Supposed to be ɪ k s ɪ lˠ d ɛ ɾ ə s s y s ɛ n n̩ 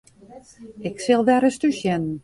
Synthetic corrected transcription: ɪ k s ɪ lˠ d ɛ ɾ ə s t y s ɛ n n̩